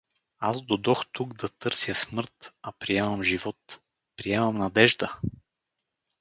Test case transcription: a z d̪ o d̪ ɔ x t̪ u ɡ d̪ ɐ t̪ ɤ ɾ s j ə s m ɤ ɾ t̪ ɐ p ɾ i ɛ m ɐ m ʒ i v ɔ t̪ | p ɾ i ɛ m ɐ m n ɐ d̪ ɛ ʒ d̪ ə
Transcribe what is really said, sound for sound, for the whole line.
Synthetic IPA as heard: a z d̪ o d̪ ɔ x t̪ u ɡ d̪ ɐ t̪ ɤ ɾ s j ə s m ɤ ɾ t̪ ɐ p ɾ i ɛ m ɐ m ʒ i v ɔ t̪ | p ɾ i ɛ m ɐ m n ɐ d̪ ɛ ʒ d̪ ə